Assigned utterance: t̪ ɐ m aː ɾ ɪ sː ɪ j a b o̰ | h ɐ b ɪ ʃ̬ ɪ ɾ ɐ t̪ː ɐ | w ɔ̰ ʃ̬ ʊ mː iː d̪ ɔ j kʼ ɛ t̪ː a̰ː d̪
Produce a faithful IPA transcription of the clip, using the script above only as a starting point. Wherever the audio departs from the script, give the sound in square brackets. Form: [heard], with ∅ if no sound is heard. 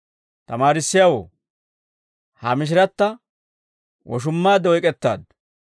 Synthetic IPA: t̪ ɐ m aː ɾ ɪ sː ɪ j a [w] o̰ | h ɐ [m] ɪ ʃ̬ ɪ ɾ ɐ t̪ː ɐ | w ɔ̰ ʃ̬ ʊ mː [aː] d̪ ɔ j kʼ ɛ t̪ː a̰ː d̪